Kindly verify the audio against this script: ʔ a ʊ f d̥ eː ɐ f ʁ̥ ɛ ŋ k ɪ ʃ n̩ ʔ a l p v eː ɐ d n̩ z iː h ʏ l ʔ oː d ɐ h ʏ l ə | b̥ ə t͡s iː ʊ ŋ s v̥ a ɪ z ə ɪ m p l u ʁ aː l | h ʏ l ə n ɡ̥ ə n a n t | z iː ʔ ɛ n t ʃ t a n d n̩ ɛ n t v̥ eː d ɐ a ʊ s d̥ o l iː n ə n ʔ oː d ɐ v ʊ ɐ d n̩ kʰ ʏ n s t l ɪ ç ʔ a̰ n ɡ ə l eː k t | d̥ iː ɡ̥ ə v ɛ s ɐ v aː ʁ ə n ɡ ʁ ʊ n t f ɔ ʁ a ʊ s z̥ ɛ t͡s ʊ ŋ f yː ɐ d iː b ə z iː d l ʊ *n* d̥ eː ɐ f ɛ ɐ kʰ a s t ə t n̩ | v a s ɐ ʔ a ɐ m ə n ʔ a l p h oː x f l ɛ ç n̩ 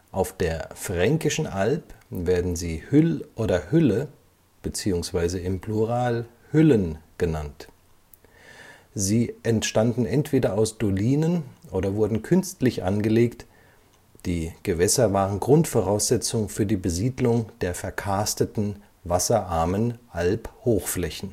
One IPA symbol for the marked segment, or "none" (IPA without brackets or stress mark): ŋ